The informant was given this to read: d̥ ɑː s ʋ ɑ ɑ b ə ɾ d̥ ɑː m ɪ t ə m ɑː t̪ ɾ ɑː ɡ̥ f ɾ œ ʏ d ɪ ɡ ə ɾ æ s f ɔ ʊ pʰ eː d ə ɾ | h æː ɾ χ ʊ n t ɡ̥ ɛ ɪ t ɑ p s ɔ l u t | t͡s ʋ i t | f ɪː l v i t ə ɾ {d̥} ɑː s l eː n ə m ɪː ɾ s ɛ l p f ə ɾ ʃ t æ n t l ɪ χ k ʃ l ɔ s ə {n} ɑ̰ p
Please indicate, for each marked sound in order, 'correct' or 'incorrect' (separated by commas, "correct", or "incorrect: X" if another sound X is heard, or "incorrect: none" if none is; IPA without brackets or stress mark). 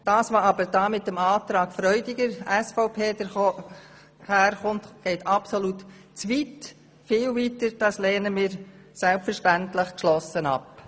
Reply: correct, correct